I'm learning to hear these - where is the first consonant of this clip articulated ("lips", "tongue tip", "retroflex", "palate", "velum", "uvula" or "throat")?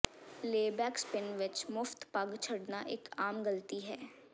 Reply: tongue tip